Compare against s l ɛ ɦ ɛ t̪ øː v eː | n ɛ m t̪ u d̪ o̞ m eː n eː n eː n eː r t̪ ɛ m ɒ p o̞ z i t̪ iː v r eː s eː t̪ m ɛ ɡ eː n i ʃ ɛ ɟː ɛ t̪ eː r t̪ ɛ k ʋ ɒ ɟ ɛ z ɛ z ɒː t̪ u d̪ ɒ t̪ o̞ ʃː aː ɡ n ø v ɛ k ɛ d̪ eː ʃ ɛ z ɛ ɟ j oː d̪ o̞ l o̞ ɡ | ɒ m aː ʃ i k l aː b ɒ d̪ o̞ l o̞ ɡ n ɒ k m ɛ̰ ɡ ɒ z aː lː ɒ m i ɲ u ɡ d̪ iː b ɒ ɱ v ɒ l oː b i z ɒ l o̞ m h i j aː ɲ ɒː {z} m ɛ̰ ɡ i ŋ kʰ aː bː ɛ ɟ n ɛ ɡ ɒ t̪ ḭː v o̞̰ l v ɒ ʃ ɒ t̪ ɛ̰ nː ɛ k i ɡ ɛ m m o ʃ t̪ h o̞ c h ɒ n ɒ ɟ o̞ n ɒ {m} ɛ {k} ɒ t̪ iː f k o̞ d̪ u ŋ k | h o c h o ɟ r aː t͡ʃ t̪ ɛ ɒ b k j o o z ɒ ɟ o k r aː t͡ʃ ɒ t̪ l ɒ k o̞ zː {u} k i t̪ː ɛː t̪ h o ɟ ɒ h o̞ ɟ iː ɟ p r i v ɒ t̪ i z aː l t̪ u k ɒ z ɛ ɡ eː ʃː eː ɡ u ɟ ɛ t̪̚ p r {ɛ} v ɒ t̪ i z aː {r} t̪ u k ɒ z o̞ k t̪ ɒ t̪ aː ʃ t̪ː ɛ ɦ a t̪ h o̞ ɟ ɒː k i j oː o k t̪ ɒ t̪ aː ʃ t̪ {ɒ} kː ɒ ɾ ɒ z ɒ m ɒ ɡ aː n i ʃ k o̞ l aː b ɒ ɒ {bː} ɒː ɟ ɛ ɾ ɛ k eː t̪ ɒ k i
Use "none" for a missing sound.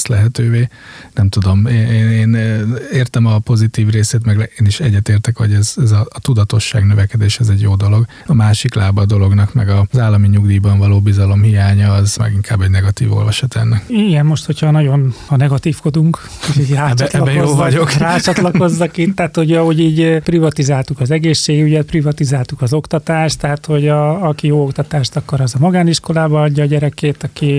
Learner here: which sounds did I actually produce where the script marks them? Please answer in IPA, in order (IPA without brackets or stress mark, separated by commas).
z, n, ɡ, ɒ, i, l, ɒ, ɟː